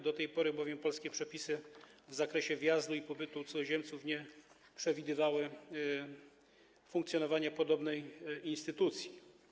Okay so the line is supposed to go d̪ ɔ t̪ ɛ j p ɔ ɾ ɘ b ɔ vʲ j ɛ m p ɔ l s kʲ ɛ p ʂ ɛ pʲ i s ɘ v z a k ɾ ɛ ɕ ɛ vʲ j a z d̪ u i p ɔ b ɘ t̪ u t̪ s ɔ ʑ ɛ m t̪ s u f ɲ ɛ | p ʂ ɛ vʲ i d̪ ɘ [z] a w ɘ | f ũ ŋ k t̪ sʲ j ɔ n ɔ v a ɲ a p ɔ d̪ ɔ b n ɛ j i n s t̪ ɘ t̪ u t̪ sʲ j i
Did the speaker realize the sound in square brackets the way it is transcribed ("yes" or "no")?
no